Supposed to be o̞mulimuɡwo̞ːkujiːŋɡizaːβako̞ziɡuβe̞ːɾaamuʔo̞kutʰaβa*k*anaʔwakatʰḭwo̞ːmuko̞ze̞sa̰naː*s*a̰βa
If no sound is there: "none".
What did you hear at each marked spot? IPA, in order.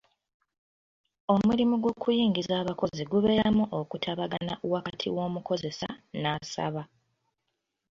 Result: ɡ, s

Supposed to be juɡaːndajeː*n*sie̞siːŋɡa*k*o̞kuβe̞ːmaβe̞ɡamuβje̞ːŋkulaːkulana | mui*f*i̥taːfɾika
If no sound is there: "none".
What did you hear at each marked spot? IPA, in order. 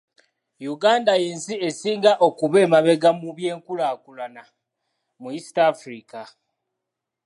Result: n, ʔ, s

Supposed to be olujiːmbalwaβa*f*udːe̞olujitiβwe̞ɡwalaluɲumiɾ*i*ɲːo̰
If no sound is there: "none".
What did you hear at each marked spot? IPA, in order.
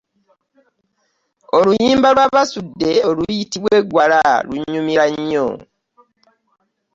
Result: s, a

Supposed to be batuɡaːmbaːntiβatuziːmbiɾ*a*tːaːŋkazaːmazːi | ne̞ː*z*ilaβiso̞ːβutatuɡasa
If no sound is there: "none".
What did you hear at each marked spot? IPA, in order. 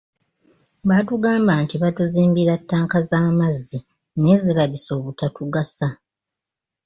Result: a, z

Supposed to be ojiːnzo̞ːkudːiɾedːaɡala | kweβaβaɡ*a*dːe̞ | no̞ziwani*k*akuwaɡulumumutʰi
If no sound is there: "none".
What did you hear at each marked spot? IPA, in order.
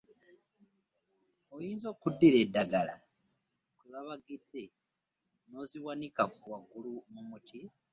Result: i, k

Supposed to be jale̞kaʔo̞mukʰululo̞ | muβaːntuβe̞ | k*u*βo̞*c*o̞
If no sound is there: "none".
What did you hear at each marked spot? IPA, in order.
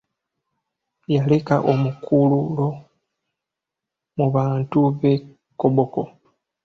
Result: o, k

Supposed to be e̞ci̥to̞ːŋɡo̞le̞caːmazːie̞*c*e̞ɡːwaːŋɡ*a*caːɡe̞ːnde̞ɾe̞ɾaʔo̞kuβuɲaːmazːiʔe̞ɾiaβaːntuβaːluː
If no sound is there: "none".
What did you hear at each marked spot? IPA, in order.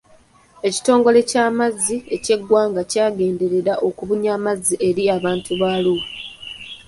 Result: c, a

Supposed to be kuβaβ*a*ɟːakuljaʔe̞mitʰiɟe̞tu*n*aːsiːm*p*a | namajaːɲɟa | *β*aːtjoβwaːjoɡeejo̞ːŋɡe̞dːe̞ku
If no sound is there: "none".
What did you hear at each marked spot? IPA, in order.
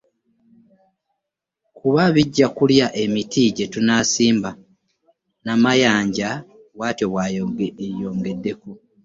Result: i, n, b, w

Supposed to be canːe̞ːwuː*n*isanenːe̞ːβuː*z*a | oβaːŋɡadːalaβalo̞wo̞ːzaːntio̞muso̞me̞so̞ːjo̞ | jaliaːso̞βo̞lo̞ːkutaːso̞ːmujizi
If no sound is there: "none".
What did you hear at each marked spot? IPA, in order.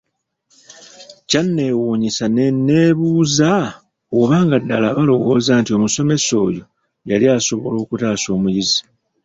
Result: ɲ, z

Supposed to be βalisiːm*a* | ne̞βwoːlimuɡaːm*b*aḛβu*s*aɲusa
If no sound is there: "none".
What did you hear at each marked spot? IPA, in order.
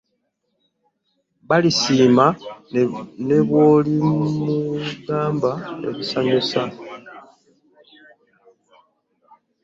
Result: a, b, s

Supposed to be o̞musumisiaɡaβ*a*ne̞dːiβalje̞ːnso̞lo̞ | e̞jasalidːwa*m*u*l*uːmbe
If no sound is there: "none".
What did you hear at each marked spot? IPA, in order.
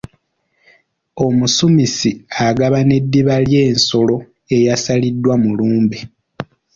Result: a, m, l

